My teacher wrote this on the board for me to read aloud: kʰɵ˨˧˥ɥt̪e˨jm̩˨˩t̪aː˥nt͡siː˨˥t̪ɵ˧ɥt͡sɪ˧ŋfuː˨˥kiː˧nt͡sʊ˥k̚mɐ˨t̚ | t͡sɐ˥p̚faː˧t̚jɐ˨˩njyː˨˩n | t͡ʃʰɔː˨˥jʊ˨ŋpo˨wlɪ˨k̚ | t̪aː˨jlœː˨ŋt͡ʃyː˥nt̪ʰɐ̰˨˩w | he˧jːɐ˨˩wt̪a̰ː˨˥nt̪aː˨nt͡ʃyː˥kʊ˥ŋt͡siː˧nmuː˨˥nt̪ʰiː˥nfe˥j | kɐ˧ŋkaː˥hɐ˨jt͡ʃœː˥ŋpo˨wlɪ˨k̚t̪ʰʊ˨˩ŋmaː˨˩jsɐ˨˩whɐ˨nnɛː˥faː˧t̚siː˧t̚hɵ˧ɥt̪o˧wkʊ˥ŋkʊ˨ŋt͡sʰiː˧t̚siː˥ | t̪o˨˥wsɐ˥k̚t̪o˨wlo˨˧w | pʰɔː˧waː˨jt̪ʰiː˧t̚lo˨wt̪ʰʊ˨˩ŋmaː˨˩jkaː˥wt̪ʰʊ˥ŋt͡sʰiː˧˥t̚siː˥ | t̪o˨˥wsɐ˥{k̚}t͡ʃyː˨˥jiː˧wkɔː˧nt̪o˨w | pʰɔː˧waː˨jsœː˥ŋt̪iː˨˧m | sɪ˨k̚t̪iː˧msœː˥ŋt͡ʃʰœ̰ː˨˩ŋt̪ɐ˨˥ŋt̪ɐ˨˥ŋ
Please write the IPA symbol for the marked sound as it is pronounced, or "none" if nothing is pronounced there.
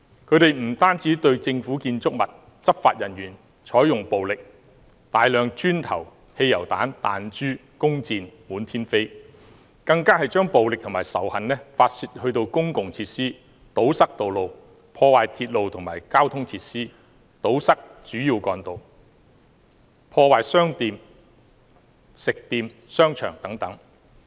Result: k̚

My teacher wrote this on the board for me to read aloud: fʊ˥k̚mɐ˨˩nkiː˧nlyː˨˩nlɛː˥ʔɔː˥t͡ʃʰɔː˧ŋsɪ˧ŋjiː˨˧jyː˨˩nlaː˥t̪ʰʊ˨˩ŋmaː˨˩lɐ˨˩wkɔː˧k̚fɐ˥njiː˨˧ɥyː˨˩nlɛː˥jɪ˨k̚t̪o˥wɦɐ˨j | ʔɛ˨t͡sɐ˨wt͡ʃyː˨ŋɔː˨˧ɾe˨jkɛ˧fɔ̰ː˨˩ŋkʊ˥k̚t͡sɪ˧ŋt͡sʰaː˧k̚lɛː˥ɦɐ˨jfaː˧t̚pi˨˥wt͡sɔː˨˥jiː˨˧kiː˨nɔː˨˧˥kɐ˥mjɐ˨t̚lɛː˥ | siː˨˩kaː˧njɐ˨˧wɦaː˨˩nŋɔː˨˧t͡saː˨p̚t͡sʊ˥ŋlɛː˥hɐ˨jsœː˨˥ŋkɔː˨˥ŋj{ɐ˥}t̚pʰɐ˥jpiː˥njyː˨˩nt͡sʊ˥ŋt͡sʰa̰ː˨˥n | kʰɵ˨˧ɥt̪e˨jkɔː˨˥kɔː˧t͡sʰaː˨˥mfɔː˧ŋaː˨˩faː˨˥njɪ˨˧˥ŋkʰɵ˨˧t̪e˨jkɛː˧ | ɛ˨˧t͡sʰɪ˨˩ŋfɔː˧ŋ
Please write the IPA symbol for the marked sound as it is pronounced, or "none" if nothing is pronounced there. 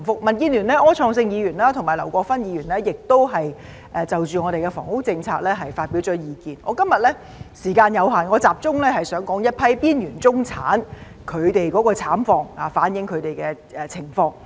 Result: ɐ˥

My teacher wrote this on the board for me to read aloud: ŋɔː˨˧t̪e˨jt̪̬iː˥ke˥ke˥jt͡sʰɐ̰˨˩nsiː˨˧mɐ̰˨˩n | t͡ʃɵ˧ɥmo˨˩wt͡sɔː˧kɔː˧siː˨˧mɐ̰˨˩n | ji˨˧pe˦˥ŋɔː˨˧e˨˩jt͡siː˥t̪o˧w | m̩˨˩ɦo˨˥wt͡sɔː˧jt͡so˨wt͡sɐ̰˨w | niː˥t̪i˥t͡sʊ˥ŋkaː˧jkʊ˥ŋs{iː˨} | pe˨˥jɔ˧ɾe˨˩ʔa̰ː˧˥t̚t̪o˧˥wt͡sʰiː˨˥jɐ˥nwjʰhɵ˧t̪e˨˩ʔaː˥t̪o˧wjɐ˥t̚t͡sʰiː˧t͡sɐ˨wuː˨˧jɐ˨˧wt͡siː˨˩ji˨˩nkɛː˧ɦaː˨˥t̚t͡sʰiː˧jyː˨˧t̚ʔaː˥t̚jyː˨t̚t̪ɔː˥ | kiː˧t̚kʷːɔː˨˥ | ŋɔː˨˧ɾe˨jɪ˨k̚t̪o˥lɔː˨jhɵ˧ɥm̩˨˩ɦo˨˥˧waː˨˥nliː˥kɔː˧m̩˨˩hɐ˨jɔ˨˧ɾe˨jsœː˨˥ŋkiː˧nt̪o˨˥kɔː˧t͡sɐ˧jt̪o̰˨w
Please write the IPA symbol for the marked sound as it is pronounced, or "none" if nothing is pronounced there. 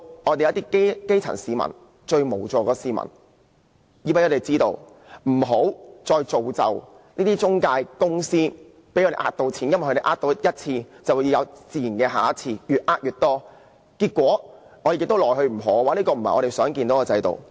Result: iː˥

